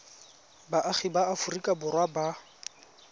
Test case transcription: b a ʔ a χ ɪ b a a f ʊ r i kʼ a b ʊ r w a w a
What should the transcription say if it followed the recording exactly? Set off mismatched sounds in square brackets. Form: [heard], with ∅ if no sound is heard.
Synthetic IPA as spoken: b a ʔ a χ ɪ b a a f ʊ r i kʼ a b ʊ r w a [b] a